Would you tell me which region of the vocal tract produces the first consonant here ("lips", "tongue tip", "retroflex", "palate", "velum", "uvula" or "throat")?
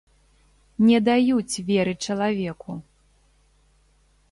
tongue tip